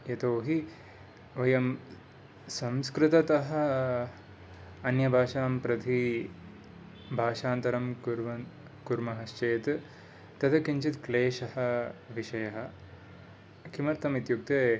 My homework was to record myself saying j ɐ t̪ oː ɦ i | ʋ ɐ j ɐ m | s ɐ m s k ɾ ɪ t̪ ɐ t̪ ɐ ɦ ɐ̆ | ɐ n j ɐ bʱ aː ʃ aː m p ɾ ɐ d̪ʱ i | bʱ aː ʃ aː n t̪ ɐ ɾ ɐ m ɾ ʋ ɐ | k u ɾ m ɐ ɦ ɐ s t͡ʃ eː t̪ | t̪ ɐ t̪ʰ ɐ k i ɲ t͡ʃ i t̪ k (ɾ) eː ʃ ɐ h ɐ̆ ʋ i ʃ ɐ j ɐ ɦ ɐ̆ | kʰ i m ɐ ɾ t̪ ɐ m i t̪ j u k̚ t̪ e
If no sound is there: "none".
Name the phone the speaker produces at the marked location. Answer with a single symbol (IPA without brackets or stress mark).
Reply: l